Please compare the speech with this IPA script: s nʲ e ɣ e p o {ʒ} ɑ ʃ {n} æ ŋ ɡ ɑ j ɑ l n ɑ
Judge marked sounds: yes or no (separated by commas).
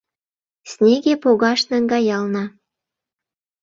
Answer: no, yes